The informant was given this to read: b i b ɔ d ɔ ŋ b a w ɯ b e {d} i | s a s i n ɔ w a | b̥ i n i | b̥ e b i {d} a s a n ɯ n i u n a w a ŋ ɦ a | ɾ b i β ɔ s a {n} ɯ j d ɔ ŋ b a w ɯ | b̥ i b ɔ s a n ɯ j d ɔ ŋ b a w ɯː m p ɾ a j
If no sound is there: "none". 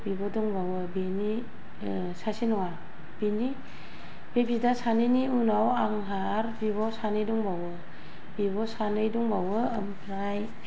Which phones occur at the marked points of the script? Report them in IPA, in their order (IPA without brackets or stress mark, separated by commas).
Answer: n, d, n